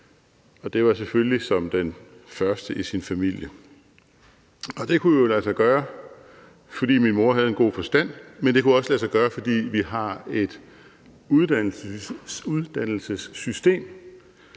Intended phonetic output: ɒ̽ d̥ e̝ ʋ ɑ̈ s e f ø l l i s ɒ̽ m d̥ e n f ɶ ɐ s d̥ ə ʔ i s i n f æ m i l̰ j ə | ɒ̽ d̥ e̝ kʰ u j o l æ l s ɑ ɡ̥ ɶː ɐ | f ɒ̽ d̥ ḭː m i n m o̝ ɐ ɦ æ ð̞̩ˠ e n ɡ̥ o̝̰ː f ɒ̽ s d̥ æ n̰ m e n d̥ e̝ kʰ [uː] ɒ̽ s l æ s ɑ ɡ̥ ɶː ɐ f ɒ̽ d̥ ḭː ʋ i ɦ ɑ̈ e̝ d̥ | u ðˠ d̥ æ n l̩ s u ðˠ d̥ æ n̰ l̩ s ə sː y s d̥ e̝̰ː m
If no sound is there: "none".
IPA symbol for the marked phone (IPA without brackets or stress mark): u